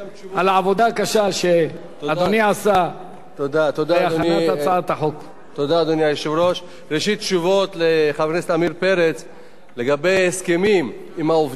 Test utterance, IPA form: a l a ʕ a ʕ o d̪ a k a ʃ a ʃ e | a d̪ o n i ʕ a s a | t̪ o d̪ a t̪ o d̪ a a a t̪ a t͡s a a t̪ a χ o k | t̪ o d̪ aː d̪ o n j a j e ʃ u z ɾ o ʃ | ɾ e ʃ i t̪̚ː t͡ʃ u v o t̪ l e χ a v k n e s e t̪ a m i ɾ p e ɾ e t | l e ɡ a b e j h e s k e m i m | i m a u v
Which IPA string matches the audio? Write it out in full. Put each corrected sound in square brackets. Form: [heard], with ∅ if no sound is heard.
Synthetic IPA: a l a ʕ a [v] o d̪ a k a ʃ a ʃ e | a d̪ o n i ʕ a s a | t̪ o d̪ a t̪ o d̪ a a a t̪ a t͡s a a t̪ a [ħ] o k | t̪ o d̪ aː d̪ o n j a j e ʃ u [v] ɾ o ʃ | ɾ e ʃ i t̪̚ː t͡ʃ u v o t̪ l e χ a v k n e s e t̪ a m i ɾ p e ɾ e [t͡s] | l e ɡ a b e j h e s k e m i m | i m a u v